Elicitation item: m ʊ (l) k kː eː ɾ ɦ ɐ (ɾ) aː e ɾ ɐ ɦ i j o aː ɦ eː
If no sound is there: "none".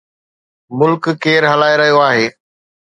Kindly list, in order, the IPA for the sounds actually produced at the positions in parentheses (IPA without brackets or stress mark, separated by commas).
l, l